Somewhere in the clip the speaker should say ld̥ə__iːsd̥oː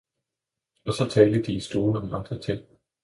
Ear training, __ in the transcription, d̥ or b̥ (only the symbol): d̥